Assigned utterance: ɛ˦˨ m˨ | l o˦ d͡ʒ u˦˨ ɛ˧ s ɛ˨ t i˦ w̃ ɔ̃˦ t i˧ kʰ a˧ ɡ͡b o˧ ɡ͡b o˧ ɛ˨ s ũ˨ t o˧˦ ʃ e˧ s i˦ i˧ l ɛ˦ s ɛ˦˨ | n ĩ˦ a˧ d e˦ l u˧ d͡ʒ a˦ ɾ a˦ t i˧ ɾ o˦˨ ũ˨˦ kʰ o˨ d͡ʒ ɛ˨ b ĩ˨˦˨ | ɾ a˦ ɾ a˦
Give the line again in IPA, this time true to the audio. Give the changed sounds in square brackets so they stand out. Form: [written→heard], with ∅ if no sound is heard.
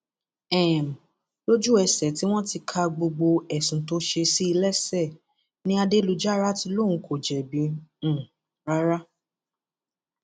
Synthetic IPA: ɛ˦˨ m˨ | l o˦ d͡ʒ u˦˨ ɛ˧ s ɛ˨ t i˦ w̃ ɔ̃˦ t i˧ kʰ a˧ ɡ͡b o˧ ɡ͡b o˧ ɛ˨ s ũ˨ t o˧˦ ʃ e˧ s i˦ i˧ l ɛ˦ s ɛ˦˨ | n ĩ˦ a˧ d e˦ l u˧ d͡ʒ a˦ ɾ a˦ t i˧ [ɾ→l] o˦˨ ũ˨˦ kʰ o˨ d͡ʒ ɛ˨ b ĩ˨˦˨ | ɾ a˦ ɾ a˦

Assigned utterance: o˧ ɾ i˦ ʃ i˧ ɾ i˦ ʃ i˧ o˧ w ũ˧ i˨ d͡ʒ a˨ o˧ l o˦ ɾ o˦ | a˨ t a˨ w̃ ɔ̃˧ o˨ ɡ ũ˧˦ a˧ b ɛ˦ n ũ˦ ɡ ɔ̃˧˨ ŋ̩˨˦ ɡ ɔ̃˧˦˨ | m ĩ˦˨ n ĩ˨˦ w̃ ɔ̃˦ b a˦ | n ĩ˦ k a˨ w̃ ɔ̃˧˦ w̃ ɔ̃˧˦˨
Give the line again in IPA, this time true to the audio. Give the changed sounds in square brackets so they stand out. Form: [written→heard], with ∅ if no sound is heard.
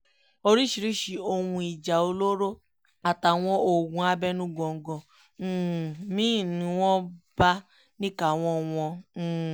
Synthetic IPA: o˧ ɾ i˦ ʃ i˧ ɾ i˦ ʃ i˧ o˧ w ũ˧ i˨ d͡ʒ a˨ o˧ l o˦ ɾ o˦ | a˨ t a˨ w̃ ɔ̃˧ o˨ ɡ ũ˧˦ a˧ b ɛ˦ n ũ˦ ɡ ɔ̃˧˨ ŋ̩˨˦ ɡ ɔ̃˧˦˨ | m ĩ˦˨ n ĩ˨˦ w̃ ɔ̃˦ b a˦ | n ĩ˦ k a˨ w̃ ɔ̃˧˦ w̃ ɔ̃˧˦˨

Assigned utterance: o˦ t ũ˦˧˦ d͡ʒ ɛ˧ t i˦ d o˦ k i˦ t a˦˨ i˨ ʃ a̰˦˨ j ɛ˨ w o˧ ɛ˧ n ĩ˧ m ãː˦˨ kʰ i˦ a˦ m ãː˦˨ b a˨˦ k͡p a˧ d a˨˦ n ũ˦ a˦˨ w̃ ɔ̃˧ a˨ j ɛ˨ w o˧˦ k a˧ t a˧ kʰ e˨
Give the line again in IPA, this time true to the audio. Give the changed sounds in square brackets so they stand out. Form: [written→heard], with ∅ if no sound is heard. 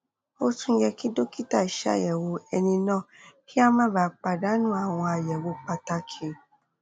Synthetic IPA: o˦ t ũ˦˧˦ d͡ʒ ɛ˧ [t→k] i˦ d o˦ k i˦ t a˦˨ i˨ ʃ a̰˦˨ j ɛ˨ w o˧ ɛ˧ n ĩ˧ [m→n] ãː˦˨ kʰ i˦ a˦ m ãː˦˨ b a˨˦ k͡p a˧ d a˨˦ n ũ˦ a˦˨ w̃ ɔ̃˧ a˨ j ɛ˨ w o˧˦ [k→k͡p] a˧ t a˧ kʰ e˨

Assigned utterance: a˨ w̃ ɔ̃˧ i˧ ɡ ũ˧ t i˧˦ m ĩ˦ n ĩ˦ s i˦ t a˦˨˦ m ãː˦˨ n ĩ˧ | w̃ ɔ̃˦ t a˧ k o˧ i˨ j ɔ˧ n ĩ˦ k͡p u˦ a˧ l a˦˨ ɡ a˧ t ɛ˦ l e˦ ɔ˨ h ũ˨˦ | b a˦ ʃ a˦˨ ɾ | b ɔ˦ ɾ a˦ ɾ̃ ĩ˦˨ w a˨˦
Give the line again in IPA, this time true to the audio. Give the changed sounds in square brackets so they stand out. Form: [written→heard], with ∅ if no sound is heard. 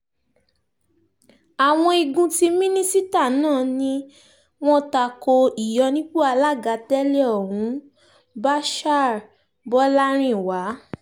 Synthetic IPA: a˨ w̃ ɔ̃˧ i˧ ɡ ũ˧ t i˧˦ m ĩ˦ n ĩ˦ s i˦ t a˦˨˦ [m→n] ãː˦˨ n ĩ˧ | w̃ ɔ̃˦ t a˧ k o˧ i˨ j ɔ˧ n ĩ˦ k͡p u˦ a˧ l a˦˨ ɡ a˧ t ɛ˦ l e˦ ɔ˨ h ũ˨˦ | b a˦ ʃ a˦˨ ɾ | b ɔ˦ [ɾ→l] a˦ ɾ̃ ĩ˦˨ w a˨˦

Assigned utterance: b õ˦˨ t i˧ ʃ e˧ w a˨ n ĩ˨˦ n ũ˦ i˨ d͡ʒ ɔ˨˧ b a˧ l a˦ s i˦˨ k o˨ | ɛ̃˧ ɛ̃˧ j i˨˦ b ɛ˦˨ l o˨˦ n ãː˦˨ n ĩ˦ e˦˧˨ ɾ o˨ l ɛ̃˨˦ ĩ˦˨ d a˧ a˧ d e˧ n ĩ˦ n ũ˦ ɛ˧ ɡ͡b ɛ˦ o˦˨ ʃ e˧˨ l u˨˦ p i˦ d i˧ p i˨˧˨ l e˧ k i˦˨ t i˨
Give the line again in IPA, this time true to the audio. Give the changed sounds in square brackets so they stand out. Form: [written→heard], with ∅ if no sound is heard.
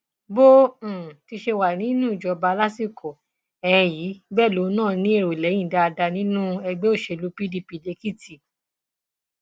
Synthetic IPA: b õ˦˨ t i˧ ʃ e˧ w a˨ n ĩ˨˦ n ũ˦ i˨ d͡ʒ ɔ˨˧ b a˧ l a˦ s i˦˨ k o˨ | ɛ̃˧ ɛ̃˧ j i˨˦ b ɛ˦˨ l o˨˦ n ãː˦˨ n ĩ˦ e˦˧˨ ɾ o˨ l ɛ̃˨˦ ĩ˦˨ d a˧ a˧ d [e˧→a˧] n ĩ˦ n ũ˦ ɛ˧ ɡ͡b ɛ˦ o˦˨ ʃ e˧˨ l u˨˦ p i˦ d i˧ p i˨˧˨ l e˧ k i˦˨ t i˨

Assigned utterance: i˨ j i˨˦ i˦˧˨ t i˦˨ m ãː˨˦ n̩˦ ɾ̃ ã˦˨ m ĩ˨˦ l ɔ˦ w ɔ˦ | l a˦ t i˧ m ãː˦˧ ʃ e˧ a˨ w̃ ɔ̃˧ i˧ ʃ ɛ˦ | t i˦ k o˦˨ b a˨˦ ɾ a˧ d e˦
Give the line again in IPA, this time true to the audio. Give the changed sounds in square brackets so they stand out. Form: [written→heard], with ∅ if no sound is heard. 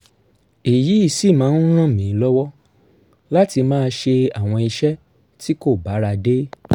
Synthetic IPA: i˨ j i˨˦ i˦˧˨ [t→s] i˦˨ m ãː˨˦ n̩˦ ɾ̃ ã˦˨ m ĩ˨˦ l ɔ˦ w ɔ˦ | l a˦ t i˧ m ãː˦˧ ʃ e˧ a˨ w̃ ɔ̃˧ i˧ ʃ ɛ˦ | t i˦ k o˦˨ b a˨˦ ɾ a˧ d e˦

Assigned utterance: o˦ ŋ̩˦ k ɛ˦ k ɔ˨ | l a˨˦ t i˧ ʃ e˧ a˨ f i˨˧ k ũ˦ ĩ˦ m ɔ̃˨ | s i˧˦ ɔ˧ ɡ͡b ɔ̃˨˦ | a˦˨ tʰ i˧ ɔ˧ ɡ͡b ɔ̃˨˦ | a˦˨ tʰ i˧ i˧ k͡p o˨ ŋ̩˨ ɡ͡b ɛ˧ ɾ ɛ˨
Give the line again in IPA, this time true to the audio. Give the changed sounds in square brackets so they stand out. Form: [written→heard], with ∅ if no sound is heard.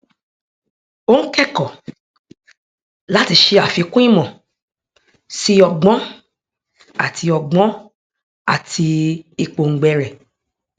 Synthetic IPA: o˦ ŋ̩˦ k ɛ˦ k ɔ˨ | l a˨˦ t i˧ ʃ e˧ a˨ f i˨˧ k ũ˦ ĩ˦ m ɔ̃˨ | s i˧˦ ɔ˧ ɡ͡b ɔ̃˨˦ | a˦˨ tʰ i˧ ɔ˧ ɡ͡b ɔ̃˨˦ | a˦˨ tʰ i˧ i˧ k͡p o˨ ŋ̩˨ ɡ͡b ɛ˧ ɾ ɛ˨

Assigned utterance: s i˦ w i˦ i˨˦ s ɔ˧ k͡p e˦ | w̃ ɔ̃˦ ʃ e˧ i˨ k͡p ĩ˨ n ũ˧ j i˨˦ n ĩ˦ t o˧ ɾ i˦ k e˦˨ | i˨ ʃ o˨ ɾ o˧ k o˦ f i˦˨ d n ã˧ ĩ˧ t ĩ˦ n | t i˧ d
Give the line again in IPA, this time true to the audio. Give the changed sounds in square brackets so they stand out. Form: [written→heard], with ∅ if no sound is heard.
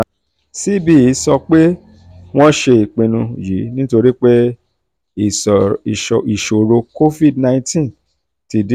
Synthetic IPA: s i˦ [w→b] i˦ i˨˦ s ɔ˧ k͡p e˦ | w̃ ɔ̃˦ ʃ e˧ i˨ k͡p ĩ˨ n ũ˧ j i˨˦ n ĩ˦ t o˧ ɾ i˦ [k→k͡p] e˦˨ | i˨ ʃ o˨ ɾ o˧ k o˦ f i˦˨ d n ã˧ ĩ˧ t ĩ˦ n | t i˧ d

